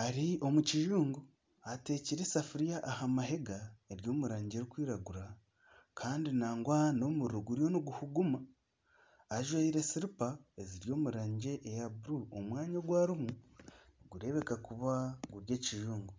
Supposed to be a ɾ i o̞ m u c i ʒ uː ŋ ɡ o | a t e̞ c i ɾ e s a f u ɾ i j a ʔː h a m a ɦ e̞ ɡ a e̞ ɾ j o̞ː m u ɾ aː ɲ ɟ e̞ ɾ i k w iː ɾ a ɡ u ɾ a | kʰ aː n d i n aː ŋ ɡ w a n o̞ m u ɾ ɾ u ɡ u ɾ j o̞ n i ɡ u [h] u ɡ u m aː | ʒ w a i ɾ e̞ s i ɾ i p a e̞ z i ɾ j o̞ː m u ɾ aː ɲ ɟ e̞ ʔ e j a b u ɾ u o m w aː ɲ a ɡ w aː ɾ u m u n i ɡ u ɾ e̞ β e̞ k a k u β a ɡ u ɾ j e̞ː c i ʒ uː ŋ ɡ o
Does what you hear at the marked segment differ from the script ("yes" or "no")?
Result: no